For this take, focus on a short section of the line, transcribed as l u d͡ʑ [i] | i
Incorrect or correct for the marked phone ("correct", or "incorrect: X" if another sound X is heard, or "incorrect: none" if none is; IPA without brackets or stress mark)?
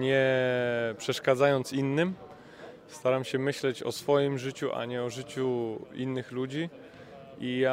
correct